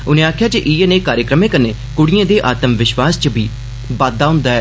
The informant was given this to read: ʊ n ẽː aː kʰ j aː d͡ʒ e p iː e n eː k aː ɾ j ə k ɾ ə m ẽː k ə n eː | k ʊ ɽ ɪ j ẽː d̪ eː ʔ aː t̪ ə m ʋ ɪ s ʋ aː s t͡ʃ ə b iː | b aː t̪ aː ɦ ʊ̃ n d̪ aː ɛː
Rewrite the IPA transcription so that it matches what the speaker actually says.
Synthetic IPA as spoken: ʊ n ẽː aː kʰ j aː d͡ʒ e ʔ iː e n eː k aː ɾ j ə k ɾ ə m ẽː k ə n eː | k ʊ ɽ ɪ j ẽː d̪ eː ʔ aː t̪ ə m ʋ ɪ ʃ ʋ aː s t͡ʃ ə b iː | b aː d̪ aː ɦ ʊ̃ n d̪ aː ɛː